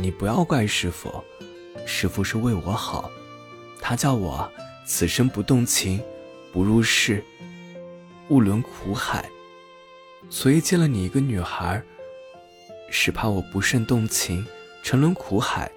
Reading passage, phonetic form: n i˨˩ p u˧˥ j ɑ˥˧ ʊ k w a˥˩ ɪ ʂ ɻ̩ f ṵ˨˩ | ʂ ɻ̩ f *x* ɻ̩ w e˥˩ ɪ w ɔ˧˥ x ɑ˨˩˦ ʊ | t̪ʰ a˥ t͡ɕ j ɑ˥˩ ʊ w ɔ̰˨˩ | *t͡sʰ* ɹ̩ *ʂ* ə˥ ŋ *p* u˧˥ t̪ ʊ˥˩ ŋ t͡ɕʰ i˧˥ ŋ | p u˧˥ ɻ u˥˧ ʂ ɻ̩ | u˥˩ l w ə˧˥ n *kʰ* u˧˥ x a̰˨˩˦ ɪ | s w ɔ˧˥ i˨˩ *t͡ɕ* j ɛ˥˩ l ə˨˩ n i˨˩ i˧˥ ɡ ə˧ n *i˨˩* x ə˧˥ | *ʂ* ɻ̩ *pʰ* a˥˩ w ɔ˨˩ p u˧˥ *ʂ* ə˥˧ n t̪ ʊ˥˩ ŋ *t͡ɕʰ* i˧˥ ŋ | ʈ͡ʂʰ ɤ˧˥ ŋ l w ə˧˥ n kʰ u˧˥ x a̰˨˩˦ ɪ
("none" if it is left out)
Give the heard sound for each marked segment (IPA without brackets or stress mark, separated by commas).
ʂ, t͡sʰ, ʂ, p, kʰ, t͡ɕ, y˨˩, ʂ, pʰ, ʂ, t͡ɕʰ